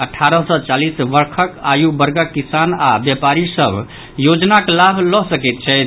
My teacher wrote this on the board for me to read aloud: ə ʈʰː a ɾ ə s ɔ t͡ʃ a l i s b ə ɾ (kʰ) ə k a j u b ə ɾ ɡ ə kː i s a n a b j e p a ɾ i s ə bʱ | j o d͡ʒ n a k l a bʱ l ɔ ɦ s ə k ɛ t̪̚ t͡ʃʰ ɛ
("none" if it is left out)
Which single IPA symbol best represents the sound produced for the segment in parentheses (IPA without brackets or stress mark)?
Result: kʰ